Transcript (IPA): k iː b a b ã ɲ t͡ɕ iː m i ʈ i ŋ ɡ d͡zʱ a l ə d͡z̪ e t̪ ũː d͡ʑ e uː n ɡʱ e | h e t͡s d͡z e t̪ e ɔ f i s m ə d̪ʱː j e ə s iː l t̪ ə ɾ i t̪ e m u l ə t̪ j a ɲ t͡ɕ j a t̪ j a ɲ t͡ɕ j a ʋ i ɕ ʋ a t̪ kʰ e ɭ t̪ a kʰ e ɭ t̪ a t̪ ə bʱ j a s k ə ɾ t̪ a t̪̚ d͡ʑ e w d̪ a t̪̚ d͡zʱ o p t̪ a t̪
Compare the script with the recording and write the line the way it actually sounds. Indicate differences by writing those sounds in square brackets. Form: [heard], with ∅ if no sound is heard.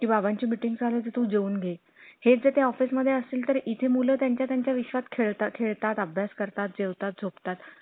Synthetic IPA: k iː b a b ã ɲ t͡ɕ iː m i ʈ i ŋ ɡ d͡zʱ a l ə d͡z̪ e t̪ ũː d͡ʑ e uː n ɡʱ e | h e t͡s d͡z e t̪ e ɔ f i s m ə d̪ʱː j e ə s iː l t̪ ə ɾ i [t̪ʰ] e m u l ə t̪ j a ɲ t͡ɕ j a t̪ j a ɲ t͡ɕ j a ʋ i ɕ ʋ a t̪ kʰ e ɭ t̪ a kʰ e ɭ t̪ a t̪ ə bʱ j a s k ə ɾ t̪ a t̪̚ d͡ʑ e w [t̪] a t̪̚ d͡zʱ o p t̪ a t̪